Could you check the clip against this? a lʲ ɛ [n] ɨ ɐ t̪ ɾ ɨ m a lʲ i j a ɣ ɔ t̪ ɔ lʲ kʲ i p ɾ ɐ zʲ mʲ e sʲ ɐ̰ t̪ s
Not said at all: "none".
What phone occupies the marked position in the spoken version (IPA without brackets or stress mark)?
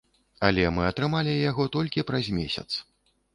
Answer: m